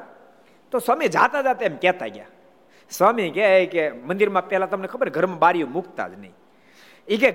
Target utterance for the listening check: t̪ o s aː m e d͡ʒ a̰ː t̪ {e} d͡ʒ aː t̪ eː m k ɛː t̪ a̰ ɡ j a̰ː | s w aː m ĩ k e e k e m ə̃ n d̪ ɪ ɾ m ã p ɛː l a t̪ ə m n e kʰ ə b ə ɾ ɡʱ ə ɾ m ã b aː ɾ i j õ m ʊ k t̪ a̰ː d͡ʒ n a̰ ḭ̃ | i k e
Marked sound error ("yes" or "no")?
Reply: yes